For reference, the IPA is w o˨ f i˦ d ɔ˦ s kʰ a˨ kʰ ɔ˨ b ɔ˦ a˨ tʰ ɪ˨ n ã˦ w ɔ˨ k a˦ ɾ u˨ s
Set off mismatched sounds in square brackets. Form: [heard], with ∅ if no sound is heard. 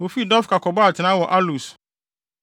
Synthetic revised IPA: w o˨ f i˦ d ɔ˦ [f] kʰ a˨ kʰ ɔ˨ b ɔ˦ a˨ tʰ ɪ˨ n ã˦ w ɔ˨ [ʔ] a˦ [l] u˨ s

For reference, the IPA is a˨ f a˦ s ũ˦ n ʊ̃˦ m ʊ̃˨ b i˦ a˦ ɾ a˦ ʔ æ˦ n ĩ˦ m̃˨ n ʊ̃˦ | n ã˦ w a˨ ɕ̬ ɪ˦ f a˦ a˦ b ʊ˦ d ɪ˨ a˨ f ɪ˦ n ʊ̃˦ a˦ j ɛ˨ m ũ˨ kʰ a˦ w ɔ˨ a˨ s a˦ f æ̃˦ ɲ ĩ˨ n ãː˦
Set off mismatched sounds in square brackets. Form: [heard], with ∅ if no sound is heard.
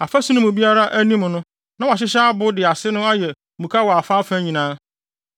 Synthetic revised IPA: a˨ f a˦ s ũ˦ n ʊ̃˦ m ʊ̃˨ b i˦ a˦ ɾ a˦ ʔ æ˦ n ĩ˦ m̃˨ n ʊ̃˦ | n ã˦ w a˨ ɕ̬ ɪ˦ [ɕ] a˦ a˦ b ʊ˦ d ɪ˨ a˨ [s] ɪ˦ n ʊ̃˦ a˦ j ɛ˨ m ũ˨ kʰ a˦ w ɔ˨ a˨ [f] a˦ f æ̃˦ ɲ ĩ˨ n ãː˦

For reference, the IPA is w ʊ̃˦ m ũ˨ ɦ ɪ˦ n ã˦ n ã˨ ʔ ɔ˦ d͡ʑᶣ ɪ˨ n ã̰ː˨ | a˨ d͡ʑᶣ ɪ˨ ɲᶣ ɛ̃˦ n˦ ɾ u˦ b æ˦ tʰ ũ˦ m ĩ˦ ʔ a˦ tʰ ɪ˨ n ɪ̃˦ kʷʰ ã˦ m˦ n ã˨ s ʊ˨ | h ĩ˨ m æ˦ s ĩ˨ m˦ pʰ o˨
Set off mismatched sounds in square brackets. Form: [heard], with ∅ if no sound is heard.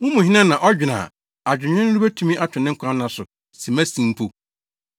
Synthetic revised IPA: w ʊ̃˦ m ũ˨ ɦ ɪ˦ n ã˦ n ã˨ ʔ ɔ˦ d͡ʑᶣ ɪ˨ n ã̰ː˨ | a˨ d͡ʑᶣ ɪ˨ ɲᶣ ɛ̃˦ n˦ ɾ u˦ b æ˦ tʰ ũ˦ m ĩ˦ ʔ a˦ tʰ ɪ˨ n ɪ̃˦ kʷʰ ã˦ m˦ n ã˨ s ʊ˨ | [s] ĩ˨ m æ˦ s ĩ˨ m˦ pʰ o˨

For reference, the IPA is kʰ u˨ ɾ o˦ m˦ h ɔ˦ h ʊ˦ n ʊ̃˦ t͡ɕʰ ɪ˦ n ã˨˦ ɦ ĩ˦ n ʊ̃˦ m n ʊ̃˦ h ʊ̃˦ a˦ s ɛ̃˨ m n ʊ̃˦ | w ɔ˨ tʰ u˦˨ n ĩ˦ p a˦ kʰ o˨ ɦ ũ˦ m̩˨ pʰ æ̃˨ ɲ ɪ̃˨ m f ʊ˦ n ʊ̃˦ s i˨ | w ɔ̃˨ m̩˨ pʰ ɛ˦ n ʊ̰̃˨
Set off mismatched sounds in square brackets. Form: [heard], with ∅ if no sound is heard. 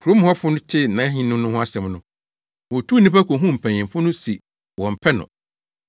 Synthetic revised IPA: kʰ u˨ ɾ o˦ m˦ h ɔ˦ [f] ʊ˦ n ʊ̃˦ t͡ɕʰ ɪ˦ n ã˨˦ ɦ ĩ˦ n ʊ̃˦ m n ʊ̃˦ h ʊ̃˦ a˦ s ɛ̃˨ m n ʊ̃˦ | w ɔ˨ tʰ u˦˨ n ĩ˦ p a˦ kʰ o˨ ɦ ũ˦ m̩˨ pʰ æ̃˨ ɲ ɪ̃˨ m f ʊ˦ n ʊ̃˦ s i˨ | w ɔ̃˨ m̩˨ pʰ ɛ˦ n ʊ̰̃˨

